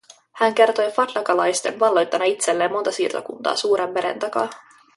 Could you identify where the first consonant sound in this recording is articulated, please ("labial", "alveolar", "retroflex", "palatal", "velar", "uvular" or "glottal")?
glottal